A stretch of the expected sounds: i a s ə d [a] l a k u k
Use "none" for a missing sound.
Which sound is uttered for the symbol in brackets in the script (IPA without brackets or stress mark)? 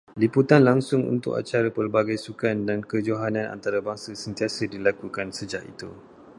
i